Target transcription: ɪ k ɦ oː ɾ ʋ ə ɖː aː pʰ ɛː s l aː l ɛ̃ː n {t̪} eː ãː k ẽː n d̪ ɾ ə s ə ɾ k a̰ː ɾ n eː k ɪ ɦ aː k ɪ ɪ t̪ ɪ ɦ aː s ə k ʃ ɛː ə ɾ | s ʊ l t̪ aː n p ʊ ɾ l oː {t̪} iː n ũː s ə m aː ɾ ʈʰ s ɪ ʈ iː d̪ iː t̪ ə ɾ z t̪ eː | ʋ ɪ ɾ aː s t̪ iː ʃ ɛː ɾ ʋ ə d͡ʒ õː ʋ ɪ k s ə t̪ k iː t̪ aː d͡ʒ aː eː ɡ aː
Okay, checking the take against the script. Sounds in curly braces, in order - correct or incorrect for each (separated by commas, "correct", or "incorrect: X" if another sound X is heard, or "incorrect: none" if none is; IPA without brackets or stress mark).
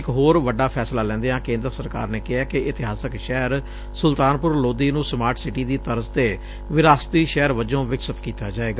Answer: incorrect: d̪, incorrect: d̪